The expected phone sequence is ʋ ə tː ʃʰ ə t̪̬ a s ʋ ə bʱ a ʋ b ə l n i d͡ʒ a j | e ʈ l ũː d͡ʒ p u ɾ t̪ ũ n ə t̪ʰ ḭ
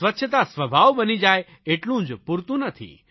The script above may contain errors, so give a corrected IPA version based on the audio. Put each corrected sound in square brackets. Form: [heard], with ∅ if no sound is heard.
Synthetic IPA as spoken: ʋ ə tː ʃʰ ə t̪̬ a s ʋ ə bʱ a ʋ b ə [∅] n i d͡ʒ a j | e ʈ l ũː d͡ʒ p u ɾ t̪ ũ n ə t̪ʰ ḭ